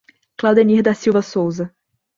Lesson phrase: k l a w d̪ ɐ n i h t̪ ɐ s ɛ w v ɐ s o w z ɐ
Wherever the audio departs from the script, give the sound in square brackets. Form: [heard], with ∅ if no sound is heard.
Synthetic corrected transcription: k l a w d̪ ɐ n i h [d̪] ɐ s [i] w v ɐ s o w z ɐ